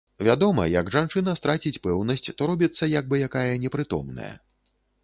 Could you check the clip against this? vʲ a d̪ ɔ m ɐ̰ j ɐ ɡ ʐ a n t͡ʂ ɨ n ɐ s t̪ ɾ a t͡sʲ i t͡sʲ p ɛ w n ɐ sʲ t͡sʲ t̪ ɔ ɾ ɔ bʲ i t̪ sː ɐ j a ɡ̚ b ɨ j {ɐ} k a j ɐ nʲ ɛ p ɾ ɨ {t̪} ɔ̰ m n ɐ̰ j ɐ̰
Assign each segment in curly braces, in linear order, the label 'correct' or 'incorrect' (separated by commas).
incorrect, correct